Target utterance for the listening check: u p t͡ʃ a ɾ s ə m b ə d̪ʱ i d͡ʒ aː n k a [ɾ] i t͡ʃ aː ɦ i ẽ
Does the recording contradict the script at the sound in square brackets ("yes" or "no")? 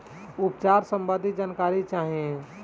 no